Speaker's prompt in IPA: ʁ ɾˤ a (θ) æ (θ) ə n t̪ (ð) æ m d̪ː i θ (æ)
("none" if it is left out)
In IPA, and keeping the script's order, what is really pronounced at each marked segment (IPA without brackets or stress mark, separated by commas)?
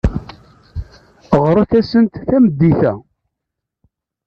θ, s, θ, æ